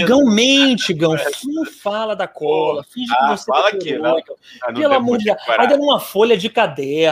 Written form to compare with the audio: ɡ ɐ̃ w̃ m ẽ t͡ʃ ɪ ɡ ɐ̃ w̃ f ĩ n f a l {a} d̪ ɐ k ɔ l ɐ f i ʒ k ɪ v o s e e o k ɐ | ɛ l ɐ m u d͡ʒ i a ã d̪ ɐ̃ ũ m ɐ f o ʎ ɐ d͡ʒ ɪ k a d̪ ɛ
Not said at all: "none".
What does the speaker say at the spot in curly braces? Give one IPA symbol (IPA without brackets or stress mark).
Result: ɐ